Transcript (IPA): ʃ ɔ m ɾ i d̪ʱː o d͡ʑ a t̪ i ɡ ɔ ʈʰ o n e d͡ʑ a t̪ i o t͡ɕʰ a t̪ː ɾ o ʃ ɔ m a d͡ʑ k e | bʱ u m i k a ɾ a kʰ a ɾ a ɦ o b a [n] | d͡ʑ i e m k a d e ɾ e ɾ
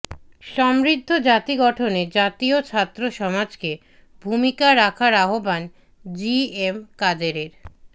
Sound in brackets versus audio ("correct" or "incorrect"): correct